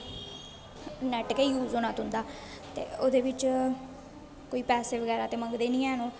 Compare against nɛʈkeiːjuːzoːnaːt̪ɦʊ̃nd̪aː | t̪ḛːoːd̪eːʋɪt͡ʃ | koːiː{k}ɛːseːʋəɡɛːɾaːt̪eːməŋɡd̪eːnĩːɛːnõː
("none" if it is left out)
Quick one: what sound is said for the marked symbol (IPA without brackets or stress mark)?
p